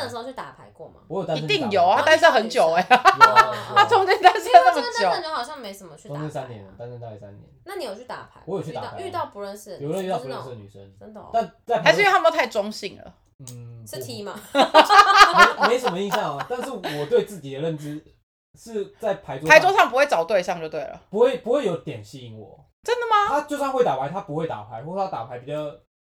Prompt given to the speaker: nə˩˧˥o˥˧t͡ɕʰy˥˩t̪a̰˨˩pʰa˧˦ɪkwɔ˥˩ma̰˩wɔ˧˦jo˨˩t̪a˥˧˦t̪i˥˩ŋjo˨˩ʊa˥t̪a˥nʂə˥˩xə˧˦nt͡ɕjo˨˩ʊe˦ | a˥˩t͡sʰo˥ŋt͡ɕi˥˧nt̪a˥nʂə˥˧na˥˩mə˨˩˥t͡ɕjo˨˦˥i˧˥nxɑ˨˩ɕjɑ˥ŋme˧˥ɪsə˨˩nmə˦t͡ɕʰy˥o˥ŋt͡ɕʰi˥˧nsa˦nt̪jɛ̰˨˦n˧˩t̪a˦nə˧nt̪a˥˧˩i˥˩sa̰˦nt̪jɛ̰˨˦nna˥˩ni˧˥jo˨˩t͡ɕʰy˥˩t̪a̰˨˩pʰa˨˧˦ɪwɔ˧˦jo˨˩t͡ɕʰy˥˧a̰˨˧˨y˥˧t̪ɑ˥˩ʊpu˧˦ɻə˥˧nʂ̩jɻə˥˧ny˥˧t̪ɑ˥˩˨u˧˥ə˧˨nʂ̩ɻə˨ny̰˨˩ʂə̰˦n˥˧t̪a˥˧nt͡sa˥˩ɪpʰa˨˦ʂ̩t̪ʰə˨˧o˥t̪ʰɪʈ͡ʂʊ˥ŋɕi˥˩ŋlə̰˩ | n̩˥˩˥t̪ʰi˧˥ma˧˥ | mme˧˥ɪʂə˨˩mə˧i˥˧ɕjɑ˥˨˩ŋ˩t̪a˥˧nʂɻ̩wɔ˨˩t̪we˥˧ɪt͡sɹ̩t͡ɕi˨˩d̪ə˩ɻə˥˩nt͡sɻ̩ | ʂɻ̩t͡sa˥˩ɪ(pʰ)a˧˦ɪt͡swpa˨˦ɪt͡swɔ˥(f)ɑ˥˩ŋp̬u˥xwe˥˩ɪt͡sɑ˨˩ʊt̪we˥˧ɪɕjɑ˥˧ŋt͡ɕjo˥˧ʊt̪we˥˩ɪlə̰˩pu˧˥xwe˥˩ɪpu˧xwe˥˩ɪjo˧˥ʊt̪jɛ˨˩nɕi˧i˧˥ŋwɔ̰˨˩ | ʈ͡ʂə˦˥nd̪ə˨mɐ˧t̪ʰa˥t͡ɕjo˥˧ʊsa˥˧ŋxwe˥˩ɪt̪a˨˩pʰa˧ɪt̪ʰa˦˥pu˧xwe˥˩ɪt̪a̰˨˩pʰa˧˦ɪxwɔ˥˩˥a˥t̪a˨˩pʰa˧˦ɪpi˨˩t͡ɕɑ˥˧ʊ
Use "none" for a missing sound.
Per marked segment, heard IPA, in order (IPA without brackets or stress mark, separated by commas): pʰ, ʂ